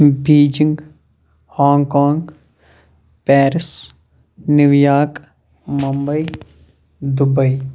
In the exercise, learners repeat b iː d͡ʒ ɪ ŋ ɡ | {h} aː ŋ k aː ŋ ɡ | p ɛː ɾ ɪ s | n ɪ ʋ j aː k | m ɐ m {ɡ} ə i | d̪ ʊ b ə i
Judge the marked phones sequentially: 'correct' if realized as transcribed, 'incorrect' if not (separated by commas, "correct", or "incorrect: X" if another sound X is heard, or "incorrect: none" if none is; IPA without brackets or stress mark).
correct, incorrect: b